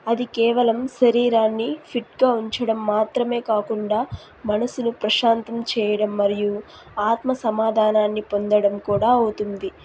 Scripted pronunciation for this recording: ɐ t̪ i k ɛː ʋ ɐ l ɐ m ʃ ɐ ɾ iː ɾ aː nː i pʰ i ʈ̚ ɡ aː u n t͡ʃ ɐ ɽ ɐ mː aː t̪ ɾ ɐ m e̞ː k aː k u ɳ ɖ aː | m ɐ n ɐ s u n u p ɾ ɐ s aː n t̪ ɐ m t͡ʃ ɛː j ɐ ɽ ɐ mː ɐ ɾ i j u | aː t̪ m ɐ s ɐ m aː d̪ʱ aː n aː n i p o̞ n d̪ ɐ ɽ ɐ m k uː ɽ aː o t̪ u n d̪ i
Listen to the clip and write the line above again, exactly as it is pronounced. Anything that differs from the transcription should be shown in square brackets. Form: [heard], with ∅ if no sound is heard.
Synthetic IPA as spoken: ɐ [d̪] i k ɛː ʋ ɐ l ɐ m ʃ ɐ ɾ iː ɾ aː nː i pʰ i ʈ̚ ɡ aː u [ɲ] t͡ʃ ɐ ɽ ɐ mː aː t̪ ɾ ɐ m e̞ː k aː k u ɳ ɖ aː | m ɐ n ɐ s u n u p ɾ ɐ [ʃ] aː n t̪ ɐ m t͡ʃ ɛː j ɐ ɽ ɐ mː ɐ ɾ i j u | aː t̪ m ɐ s ɐ m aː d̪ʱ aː n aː [nː] i p o̞ n d̪ ɐ ɽ ɐ m k uː ɽ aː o t̪ u n d̪ i

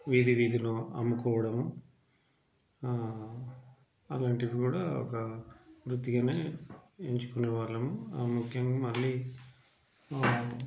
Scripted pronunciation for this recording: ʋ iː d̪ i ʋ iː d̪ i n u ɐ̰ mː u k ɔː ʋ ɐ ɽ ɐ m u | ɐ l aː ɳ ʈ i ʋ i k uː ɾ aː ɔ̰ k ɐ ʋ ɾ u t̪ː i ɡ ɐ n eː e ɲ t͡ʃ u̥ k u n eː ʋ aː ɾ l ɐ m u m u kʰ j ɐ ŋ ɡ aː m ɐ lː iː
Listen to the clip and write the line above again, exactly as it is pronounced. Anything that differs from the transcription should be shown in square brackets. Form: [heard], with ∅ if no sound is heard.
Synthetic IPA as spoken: ʋ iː d̪ i ʋ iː d̪ i n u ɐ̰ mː u k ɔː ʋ ɐ ɽ ɐ m u | ɐ l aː ɳ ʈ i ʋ i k uː [ɽ] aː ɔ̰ k ɐ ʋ ɾ u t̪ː i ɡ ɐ n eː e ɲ t͡ʃ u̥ k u n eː ʋ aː ɾ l ɐ m u m u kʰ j ɐ ŋ ɡ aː m ɐ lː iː

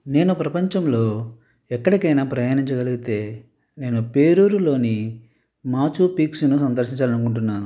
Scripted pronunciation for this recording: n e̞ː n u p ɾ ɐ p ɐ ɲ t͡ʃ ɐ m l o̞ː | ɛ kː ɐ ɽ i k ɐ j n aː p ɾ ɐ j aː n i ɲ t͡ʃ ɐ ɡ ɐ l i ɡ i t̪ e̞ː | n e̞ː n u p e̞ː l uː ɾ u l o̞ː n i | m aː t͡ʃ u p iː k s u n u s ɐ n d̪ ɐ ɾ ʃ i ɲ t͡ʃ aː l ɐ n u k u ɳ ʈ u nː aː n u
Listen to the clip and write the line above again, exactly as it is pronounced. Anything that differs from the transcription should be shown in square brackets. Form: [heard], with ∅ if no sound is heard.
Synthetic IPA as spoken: n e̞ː n u p ɾ ɐ p ɐ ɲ t͡ʃ ɐ m l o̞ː | ɛ kː ɐ ɽ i k ɐ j n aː p ɾ ɐ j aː n i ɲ t͡ʃ ɐ ɡ ɐ l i ɡ i t̪ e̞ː | n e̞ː n u p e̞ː [ɾ] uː ɾ u l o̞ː n i | m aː t͡ʃ u p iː k s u n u s ɐ n d̪ ɐ ɾ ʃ i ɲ t͡ʃ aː l ɐ n u k u ɳ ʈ u nː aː n u

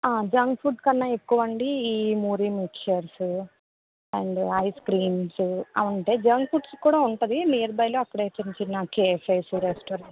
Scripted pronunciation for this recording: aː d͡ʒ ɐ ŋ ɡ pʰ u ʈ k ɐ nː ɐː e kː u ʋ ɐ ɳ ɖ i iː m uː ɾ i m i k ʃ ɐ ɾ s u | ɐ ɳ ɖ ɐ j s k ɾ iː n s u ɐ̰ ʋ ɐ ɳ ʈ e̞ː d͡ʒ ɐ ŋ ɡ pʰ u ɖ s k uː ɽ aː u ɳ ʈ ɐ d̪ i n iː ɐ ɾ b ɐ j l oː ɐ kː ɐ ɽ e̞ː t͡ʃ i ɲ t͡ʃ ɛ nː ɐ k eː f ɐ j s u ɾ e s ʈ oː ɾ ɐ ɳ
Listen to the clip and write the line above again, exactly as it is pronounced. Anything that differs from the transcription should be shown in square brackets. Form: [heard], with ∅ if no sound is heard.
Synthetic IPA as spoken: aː d͡ʒ ɐ ŋ ɡ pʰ u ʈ k ɐ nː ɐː e kː u ʋ ɐ ɳ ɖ i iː m uː ɾ i m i k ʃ ɐ ɾ s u | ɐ ɳ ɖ ɐ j s k ɾ iː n s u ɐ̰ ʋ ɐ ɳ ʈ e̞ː d͡ʒ ɐ ŋ ɡ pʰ u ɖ s k uː ɽ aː u ɳ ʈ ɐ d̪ i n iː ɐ ɾ b ɐ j l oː ɐ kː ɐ ɽ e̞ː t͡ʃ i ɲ t͡ʃ [i] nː ɐ k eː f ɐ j s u ɾ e s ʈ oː ɾ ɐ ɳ

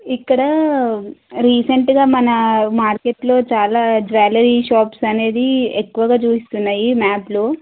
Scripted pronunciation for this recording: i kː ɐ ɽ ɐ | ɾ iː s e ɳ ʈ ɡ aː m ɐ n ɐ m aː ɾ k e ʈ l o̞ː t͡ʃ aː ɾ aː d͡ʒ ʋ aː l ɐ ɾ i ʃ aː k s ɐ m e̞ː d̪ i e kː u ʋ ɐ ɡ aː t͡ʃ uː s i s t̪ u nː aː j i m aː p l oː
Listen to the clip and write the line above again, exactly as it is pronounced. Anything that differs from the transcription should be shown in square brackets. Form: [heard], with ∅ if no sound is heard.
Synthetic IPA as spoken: i kː ɐ ɽ ɐ | ɾ iː s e ɳ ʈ ɡ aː m ɐ n ɐ m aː ɾ k e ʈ l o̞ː t͡ʃ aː [l] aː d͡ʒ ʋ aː l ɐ ɾ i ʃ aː [p] s ɐ [n] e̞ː d̪ i e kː u ʋ ɐ ɡ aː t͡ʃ uː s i s t̪ u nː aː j i m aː p l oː

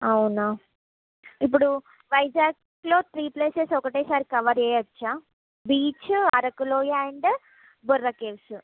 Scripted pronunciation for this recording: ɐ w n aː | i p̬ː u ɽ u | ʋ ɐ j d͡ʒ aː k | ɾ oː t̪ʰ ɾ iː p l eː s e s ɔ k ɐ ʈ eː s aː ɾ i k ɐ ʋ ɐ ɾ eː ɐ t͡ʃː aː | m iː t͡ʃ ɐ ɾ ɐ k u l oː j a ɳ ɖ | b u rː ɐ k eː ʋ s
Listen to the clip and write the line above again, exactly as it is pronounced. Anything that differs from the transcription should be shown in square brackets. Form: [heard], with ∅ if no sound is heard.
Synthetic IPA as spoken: ɐ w n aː | i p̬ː u ɽ u | ʋ ɐ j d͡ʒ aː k | [l] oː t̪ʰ ɾ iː p l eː s e s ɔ k ɐ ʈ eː s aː ɾ i k ɐ ʋ ɐ ɾ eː ɐ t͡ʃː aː | [b] iː t͡ʃ ɐ ɾ ɐ k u l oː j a ɳ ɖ | b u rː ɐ k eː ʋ s

